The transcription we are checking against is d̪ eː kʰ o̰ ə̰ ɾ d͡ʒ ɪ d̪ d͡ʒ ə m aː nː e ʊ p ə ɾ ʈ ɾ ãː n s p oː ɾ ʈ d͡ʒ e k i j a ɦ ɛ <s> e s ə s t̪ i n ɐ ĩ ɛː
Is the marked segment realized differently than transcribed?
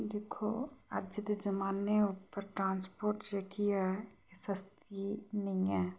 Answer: yes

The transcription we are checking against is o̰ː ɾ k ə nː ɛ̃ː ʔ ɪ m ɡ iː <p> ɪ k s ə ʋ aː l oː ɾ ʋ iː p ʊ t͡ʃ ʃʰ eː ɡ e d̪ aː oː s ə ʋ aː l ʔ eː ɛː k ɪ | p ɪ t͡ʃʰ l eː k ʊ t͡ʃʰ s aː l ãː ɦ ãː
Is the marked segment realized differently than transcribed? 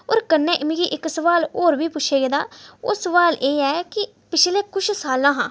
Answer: yes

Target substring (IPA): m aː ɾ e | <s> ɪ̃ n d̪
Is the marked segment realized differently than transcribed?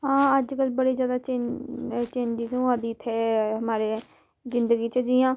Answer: yes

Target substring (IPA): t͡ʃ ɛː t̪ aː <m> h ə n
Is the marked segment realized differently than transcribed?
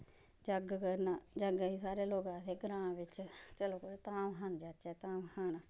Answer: no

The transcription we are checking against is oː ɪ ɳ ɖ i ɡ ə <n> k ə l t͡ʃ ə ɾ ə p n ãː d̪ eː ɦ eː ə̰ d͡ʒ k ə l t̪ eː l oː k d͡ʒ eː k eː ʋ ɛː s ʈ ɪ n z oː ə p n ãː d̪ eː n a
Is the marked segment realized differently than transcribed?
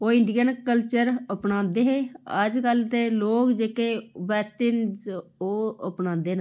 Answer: no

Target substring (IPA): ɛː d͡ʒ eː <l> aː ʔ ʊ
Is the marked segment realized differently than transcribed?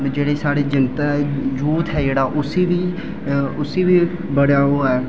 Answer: yes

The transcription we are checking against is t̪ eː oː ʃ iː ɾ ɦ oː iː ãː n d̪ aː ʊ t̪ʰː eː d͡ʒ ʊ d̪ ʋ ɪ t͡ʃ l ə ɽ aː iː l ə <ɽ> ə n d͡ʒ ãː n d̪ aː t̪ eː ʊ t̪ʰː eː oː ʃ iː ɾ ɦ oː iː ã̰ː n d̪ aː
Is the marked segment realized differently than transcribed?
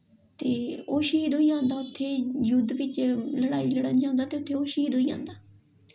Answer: no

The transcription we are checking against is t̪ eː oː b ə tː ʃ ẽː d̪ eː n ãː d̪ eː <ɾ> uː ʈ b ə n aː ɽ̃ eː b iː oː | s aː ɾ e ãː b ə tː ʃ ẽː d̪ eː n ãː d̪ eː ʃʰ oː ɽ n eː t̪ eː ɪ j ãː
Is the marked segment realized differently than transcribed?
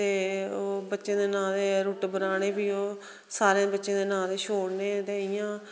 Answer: no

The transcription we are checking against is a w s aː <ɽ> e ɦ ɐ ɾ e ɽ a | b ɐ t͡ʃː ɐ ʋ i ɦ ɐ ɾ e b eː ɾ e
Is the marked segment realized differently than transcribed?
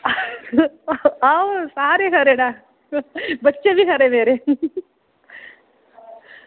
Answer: yes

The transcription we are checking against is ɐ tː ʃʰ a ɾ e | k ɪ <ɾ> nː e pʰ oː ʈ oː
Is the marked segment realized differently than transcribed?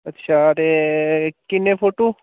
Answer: yes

